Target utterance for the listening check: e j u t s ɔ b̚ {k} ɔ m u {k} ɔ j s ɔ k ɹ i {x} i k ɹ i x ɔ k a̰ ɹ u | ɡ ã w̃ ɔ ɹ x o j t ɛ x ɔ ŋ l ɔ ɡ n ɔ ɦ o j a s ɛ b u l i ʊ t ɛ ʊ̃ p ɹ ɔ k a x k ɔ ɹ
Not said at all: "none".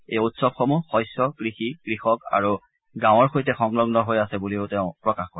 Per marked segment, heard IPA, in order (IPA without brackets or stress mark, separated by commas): x, x, x